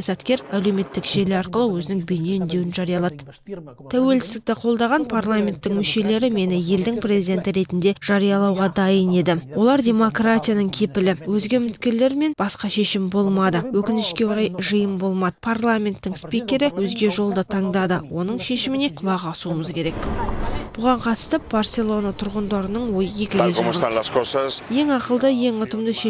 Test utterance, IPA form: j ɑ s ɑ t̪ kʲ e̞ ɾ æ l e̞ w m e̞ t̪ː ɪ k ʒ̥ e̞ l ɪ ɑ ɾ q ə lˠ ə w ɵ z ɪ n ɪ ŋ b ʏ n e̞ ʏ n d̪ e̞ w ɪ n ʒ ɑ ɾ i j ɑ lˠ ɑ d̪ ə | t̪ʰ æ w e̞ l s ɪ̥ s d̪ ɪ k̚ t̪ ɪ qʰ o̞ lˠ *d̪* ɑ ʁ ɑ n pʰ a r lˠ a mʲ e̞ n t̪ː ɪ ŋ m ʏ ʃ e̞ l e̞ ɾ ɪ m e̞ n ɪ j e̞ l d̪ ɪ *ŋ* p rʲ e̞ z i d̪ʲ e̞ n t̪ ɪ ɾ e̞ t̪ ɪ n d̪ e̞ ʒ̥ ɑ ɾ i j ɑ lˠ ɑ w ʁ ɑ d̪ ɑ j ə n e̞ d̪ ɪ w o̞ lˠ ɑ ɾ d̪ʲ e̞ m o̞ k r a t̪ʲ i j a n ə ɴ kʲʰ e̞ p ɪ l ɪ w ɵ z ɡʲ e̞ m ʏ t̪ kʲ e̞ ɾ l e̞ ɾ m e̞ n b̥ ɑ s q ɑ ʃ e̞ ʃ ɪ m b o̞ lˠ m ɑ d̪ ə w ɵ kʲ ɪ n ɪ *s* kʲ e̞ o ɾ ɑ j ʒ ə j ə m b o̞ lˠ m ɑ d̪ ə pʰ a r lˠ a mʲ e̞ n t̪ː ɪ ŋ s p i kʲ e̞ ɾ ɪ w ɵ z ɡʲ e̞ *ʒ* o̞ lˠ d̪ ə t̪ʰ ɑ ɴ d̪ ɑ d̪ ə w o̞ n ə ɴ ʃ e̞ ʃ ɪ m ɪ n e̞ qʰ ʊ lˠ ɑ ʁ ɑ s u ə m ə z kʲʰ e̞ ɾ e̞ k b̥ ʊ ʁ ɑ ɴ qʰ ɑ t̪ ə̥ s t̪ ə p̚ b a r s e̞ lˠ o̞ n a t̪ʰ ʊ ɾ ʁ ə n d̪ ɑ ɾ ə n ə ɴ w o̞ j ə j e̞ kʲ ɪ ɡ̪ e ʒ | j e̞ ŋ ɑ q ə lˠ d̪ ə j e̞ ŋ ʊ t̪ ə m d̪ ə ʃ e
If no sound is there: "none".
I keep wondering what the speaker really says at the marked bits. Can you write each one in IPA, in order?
d̪, ŋ, ʃ, ʒ

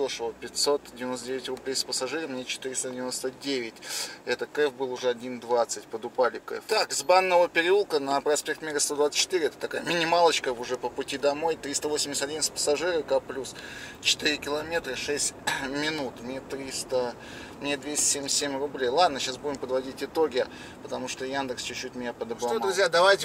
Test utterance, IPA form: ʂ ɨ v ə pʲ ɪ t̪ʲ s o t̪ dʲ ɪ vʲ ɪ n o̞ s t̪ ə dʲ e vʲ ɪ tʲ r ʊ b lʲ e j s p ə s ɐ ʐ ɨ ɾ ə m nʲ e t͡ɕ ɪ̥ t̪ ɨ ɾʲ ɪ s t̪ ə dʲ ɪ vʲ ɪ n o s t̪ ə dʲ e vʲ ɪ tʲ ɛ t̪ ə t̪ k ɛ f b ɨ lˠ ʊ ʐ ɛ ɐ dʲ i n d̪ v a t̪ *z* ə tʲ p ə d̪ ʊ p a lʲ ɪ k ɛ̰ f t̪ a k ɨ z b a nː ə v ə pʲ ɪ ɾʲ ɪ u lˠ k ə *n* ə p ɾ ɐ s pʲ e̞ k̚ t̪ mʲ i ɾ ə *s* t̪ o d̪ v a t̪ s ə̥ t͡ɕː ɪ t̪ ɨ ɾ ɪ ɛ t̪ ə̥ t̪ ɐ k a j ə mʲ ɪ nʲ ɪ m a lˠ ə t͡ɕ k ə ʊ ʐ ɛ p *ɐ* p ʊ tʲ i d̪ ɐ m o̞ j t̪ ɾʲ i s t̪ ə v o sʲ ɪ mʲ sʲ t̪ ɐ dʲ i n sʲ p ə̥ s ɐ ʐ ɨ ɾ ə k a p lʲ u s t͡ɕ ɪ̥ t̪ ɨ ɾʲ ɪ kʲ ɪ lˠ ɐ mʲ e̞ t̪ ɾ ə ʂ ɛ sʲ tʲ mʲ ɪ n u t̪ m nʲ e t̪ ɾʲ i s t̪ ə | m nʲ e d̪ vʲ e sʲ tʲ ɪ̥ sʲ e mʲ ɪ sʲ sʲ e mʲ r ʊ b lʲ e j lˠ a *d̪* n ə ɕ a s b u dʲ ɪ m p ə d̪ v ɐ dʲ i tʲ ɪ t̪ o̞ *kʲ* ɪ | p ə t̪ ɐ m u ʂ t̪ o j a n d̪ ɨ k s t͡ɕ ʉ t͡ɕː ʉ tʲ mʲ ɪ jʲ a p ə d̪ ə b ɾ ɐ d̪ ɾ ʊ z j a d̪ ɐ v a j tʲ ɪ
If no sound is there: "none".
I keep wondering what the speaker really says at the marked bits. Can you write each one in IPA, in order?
s, n, s, ə, d̪, ɡʲ

